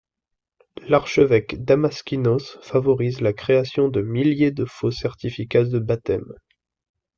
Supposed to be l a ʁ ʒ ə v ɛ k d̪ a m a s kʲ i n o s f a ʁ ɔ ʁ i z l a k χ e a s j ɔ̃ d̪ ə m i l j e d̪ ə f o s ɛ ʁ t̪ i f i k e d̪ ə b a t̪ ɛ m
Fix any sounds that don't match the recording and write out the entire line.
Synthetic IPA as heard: l a ʁ ʃ ə v ɛ k d̪ a m a s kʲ i n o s f a v ɔ ʁ i z l a k χ e a s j ɔ̃ d̪ ə m i l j e d̪ ə f o s ɛ ʁ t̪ i f i k a d̪ ə b a t̪ ɛ m